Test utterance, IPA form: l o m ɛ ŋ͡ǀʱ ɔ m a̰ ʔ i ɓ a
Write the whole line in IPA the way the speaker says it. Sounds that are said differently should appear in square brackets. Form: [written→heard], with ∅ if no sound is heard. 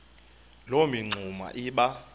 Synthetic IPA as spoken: l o m [ɛ→i] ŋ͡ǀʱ [ɔ→u] m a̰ ʔ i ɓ a